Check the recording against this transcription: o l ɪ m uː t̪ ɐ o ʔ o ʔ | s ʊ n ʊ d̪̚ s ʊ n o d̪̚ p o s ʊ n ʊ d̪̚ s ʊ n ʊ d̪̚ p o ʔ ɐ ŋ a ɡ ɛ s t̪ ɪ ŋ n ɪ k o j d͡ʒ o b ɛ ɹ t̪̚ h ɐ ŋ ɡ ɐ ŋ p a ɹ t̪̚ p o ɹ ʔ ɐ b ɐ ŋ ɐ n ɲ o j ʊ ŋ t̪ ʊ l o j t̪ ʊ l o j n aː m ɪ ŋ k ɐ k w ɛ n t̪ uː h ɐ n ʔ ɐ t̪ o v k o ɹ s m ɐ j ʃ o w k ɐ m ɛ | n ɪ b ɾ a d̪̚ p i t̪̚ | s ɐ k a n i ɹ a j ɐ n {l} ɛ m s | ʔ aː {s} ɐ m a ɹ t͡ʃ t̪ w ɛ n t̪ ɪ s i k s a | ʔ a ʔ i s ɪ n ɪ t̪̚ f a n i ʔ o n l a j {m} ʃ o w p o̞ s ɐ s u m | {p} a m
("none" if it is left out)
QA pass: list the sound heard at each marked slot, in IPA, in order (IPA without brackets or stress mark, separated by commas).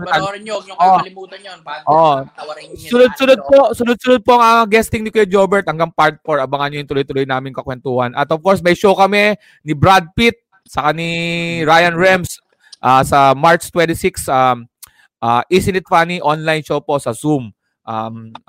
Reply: ɹ, s, n, ʔ